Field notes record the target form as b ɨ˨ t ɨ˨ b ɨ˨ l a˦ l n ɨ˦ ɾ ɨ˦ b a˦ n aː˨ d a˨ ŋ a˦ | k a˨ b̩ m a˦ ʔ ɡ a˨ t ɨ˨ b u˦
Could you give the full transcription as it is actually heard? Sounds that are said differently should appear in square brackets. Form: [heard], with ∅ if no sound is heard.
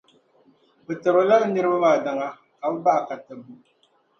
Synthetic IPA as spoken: b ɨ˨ t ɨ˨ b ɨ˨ l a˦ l n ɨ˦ ɾ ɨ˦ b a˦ [m] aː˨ d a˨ ŋ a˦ | k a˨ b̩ [b] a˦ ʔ [k] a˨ t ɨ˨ b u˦